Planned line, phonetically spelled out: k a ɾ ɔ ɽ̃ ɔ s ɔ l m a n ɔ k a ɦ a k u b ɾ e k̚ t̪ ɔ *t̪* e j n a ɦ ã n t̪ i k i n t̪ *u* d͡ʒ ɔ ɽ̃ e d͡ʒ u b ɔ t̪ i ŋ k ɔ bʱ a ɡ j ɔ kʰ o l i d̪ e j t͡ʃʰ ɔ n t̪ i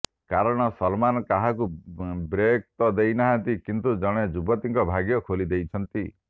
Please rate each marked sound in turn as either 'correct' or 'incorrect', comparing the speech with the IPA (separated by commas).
incorrect, correct